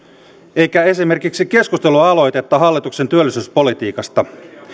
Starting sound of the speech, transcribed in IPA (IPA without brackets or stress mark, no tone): e̞